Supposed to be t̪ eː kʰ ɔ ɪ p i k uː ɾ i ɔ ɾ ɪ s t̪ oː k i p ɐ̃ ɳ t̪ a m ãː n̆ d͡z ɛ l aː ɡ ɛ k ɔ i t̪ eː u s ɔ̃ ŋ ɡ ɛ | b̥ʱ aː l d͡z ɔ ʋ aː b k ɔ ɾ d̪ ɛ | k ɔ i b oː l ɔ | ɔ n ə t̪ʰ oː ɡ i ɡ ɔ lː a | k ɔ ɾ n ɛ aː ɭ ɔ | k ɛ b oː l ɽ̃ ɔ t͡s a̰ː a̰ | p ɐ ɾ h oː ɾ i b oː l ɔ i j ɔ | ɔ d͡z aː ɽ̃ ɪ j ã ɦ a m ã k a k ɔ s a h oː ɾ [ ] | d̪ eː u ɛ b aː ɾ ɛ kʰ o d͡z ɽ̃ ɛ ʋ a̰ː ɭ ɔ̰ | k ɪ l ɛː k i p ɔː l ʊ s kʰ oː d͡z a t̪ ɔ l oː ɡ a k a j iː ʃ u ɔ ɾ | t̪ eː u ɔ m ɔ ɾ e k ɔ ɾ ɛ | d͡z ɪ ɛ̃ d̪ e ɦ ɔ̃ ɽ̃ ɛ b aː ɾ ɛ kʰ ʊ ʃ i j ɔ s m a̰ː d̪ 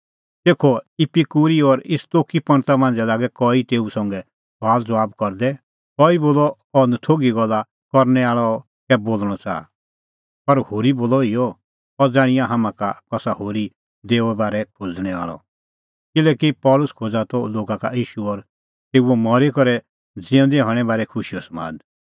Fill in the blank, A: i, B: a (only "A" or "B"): A